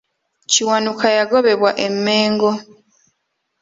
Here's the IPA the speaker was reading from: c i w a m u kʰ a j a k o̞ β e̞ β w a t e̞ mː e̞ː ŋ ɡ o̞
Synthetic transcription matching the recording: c i w a n u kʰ a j a ɡ o̞ β e̞ β w a ʔ e̞ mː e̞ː ŋ ɡ o̞